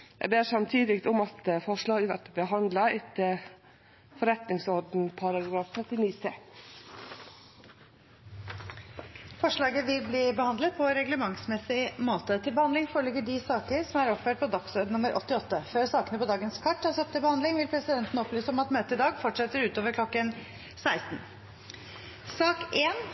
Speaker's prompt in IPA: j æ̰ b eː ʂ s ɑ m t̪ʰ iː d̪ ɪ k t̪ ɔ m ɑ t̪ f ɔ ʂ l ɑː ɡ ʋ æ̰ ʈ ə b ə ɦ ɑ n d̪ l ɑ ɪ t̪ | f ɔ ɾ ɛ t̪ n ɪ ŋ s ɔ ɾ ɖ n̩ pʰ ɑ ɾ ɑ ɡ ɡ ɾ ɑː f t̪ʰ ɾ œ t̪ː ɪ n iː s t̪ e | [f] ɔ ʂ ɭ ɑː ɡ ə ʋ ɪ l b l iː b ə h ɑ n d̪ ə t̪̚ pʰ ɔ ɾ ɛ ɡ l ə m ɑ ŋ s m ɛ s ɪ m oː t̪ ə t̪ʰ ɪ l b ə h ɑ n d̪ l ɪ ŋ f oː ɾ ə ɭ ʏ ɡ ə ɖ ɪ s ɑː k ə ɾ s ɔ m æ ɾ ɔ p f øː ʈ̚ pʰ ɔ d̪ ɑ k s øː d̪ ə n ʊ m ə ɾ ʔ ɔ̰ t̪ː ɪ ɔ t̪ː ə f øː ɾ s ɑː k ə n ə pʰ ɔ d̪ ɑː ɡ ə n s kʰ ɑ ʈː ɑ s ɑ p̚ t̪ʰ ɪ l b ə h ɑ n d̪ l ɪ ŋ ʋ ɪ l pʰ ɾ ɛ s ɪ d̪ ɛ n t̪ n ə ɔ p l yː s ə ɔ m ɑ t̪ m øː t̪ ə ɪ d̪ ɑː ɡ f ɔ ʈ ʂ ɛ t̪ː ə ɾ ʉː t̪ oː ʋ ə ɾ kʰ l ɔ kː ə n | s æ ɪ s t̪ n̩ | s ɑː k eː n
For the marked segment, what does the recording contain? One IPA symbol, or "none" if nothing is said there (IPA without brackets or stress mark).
f